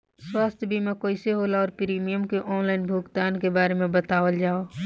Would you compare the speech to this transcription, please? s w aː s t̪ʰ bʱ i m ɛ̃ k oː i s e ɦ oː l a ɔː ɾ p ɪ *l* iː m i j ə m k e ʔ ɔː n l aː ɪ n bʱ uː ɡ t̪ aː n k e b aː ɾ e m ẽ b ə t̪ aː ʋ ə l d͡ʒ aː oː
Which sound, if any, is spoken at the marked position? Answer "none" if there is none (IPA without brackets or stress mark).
ɾ